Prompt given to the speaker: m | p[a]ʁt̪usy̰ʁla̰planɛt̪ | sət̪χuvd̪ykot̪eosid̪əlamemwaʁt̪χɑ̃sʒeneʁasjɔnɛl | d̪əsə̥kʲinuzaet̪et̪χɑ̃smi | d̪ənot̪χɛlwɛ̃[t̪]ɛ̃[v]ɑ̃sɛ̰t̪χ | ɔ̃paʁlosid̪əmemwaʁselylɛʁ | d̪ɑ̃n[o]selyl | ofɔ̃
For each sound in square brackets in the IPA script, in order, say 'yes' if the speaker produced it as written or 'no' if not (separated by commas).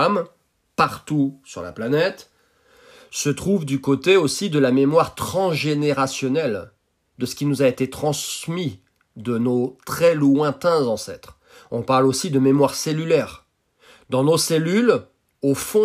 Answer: yes, yes, no, yes